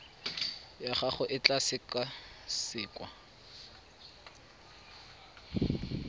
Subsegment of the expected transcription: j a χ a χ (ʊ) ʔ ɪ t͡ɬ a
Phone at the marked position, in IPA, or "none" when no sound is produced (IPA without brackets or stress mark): ʊ